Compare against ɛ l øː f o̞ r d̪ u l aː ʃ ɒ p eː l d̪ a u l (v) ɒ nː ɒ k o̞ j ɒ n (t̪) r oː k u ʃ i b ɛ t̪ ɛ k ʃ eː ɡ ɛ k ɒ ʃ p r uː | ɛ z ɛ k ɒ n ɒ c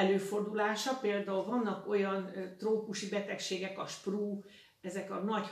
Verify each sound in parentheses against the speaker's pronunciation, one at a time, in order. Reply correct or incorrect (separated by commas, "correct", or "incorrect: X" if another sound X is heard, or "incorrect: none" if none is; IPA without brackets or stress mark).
correct, correct